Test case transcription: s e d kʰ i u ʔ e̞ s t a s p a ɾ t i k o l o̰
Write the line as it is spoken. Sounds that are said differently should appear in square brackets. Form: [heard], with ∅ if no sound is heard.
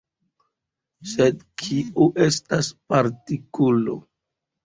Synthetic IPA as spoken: s e d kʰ i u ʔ e̞ s t a s p a ɾ t i k [u] l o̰